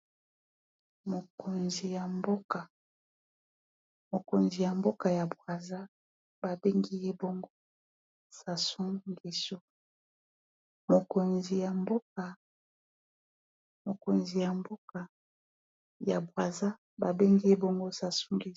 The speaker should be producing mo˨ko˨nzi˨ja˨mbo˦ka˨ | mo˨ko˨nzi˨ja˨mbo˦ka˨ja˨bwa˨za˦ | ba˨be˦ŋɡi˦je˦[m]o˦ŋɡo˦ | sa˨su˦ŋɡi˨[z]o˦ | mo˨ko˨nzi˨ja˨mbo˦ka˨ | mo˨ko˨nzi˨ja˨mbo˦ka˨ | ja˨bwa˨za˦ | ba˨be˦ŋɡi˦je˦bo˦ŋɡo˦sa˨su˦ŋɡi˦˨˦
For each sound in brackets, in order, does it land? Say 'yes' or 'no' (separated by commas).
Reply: no, no